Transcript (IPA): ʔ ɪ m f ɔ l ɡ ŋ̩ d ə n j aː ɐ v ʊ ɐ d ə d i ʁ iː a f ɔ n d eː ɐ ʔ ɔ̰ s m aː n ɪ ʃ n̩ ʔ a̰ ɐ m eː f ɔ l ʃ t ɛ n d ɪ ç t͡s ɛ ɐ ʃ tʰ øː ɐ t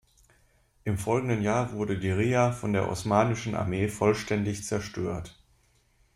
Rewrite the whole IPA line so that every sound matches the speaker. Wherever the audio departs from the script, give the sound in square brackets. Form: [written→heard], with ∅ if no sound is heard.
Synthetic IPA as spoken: ʔ ɪ m f ɔ l ɡ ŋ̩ d ə n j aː ɐ v ʊ ɐ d ə d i ʁ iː a f ɔ n d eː ɐ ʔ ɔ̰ s m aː n ɪ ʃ n̩ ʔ a̰ ɐ m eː f ɔ l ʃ t ɛ n d ɪ ç t͡s ɛ ɐ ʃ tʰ øː ɐ t